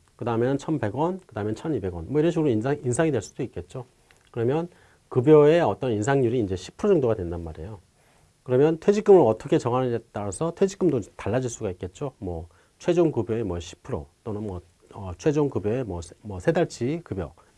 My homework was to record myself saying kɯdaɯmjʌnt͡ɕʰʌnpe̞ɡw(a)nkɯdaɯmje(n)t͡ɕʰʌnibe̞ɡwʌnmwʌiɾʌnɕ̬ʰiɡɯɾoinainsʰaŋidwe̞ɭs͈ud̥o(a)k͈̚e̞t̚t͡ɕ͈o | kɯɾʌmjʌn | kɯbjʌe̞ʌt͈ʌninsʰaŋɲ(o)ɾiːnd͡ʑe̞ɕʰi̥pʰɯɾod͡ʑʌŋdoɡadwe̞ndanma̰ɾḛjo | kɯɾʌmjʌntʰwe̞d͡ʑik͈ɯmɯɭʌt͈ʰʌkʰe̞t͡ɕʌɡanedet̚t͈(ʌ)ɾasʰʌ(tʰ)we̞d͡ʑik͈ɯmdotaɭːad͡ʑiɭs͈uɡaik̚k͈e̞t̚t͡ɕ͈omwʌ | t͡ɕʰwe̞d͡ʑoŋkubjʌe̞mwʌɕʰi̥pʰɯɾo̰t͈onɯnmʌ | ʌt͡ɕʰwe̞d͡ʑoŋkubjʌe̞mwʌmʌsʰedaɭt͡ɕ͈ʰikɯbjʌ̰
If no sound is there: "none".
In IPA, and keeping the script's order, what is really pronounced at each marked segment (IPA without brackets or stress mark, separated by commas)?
ʌ, n, i, u, a, tʰ